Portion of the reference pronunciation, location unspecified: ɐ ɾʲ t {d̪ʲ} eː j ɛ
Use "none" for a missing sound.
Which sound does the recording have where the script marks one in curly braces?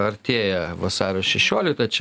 t̪ʲ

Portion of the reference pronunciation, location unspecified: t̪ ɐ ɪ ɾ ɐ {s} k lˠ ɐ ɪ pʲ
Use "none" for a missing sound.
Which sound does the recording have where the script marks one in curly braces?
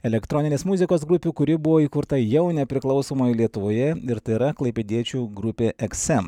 none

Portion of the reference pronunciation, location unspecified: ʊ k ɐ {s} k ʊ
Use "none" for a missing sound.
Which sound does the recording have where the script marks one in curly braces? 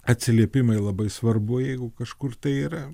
ʃ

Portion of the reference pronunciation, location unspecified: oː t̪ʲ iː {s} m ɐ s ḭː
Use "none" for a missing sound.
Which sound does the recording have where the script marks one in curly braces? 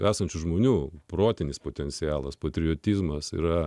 z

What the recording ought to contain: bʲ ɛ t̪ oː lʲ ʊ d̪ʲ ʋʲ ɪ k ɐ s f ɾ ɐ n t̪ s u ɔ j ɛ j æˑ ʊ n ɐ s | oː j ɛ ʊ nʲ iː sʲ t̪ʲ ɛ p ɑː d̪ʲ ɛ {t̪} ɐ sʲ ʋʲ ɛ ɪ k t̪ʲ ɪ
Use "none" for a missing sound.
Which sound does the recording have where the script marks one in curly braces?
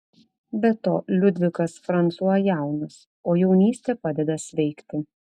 d̪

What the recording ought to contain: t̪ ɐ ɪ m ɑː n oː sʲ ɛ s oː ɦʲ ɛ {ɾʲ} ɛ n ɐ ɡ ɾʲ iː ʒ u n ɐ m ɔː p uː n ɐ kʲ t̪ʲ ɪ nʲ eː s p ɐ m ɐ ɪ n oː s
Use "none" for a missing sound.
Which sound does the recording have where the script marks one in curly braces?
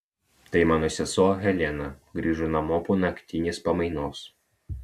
lʲ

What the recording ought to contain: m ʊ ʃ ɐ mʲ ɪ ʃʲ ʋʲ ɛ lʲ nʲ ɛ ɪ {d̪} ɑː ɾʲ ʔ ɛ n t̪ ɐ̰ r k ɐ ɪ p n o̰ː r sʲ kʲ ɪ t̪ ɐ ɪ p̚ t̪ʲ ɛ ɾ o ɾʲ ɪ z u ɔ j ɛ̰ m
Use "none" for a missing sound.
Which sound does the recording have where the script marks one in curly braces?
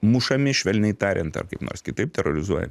t̪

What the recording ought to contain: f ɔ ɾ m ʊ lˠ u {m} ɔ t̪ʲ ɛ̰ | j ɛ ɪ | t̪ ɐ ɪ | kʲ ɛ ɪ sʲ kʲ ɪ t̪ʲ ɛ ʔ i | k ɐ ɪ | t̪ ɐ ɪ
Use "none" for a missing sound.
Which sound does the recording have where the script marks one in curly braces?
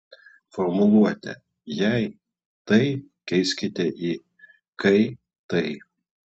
none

